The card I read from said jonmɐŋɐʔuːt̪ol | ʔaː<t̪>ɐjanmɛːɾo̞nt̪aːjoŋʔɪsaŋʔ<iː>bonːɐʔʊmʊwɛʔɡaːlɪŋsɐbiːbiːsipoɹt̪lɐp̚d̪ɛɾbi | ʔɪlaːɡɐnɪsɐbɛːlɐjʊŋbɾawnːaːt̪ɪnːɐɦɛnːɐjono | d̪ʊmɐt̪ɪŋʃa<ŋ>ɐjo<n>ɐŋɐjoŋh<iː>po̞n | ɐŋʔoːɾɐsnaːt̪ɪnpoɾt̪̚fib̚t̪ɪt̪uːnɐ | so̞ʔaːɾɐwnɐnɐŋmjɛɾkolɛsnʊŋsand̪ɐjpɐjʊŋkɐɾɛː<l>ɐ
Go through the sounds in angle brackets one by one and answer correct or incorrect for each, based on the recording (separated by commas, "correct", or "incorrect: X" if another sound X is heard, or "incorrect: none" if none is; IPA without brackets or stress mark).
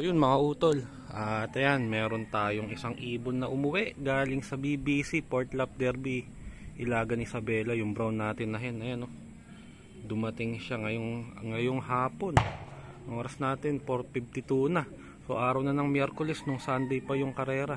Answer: correct, correct, correct, incorrect: ŋ, incorrect: aː, incorrect: ɾ